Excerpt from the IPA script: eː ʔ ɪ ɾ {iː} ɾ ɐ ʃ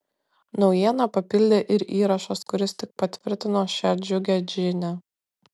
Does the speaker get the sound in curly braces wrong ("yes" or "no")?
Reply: no